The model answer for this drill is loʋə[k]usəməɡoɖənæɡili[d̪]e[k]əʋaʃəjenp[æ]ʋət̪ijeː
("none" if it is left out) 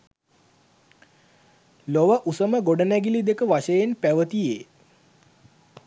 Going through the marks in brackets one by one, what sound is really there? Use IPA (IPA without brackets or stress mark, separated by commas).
ʔ, d̪, k, æ